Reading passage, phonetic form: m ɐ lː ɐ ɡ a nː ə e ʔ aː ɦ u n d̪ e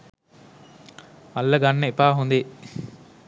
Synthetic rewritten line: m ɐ lː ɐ ɡ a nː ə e p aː ɦ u n d̪ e